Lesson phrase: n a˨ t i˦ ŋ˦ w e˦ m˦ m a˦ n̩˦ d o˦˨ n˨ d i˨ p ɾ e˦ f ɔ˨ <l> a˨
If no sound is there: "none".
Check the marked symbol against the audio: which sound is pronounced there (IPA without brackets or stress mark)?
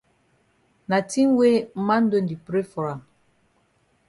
ɾ